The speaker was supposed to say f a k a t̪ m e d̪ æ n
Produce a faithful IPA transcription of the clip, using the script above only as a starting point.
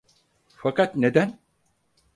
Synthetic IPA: f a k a t̪ n e d̪ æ n